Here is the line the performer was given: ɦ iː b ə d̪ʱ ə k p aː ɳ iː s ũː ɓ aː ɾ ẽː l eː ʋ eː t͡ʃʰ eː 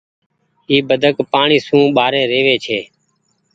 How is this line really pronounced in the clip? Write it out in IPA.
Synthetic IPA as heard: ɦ iː b ə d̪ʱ ə k p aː ɳ iː s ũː ɓ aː ɾ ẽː ɾ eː ʋ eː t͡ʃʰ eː